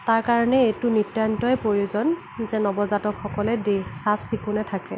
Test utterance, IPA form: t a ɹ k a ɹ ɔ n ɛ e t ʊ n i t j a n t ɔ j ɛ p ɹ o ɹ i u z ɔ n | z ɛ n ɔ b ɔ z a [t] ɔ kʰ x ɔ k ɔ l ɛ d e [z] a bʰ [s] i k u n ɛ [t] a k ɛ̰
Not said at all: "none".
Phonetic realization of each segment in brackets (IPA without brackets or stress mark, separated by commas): t, s, s, tʰ